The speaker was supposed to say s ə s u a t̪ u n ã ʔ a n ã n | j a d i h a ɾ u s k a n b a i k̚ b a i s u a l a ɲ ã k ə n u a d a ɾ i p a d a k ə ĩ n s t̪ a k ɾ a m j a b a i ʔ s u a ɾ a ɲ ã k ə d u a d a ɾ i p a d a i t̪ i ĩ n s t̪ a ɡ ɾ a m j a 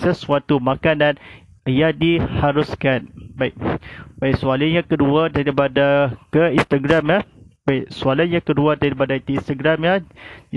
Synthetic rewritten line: s ə s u a t̪ u m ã k a n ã n | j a d i h a ɾ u s k a n b a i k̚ b a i s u a l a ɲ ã k ə d u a d a ɾ i p a d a k ə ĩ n s t̪ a ɡ ɾ a m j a b a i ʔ s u a l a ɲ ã k ə d u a d a ɾ i p a d a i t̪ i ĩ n s t̪ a ɡ ɾ a m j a